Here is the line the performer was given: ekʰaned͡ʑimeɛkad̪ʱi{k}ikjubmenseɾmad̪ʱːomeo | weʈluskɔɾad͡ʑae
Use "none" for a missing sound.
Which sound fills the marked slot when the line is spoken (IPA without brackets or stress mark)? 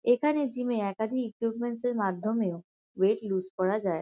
k